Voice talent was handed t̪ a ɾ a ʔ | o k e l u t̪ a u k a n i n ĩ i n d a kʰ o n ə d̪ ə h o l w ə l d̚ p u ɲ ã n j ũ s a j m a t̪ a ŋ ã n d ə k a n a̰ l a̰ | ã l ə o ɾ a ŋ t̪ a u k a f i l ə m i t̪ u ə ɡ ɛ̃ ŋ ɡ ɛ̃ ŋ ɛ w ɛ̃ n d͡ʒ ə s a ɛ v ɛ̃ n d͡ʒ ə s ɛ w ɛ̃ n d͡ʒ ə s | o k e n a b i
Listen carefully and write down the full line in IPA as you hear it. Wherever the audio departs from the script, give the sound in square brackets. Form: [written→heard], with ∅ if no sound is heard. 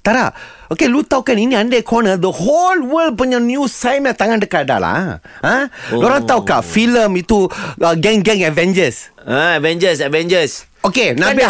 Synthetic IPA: t̪ a ɾ a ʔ | o k e l u t̪ a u k a n i n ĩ [i→a] n d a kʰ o n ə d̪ ə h o l w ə l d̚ p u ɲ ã n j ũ s a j m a t̪ a ŋ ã n d ə k a [n→d] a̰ l a̰ | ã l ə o ɾ a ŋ t̪ a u k a f i l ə m i t̪ u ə ɡ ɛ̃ ŋ ɡ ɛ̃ ŋ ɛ [w→v] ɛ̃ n d͡ʒ ə s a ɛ v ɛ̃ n d͡ʒ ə s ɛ [w→v] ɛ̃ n d͡ʒ ə s | o k e n a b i